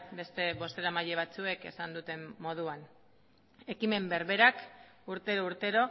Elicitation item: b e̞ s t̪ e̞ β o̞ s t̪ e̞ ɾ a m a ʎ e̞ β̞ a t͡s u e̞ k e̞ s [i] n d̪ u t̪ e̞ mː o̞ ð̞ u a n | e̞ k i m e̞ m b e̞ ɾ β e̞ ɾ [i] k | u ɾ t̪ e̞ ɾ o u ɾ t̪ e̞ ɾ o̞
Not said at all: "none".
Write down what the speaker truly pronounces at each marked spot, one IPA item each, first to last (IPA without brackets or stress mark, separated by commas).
a, a